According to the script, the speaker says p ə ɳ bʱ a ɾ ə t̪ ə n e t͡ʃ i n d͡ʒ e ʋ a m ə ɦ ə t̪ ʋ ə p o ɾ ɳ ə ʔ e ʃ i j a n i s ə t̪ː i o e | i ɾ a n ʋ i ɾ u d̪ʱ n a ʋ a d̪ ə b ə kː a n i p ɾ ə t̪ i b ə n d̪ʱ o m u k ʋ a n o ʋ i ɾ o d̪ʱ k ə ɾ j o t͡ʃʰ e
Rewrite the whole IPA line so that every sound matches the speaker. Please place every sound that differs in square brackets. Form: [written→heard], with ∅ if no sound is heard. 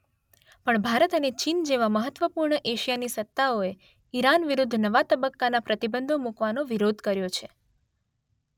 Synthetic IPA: p ə ɳ bʱ a ɾ ə t̪ ə n e t͡ʃ i n d͡ʒ e ʋ a m ə ɦ ə t̪ ʋ ə p [o→u] ɾ ɳ ə ʔ e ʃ i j a n i s ə t̪ː [i→a] o e | i ɾ a n ʋ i ɾ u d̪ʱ n [a→ə] ʋ a [d̪→t̪] ə b ə kː a n [i→a] p ɾ ə t̪ i b ə n d̪ʱ o m u k ʋ a n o ʋ i ɾ o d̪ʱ k ə ɾ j o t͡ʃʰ e